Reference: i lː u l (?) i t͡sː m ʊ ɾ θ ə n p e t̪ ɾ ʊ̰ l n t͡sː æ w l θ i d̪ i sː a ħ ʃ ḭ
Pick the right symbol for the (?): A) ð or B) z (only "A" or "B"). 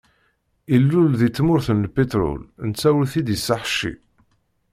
A